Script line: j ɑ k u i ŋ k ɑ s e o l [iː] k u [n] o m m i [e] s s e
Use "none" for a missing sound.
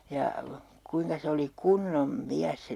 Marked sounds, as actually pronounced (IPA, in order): i, nː, æ

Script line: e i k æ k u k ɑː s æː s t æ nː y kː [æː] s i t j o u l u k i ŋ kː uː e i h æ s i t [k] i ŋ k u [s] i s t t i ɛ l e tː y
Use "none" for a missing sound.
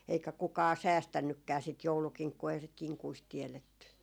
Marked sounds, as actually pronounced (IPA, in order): æː, k, none

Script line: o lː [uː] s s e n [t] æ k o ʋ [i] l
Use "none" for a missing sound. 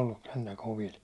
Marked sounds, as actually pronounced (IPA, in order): u, t, i

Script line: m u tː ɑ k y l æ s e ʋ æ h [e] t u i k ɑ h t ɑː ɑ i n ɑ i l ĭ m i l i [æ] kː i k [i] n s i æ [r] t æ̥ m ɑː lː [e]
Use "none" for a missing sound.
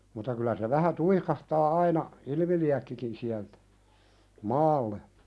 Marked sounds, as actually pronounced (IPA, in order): æ, æ, i, l, e

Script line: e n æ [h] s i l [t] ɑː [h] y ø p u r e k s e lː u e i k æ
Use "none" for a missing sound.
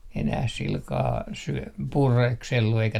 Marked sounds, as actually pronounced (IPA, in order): h, k, s

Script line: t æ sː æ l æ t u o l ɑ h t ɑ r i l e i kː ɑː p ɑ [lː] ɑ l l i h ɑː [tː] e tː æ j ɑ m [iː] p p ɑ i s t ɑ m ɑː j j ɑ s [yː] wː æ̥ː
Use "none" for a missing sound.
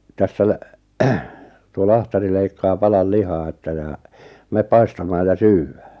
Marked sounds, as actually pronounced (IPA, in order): l, none, eː, yː

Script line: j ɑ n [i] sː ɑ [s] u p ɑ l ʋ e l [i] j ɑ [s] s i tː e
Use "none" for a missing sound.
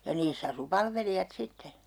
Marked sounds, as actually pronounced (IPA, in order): iː, s, i, t

